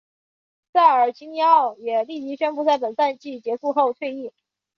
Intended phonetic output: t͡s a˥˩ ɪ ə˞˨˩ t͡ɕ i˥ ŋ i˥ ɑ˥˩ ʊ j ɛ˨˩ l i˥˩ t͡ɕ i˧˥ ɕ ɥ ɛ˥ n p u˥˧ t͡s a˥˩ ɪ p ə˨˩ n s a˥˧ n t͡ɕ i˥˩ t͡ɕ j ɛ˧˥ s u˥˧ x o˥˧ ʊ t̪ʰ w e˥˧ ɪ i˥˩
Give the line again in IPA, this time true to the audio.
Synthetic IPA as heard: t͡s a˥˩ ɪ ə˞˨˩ t͡ɕ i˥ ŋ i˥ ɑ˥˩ ʊ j ɛ˨˩ l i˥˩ t͡ɕ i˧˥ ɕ ɥ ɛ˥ n p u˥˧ t͡s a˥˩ ɪ p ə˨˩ n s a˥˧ n t͡ɕ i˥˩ t͡ɕ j ɛ˧˥ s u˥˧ x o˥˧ ʊ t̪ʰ w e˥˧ ɪ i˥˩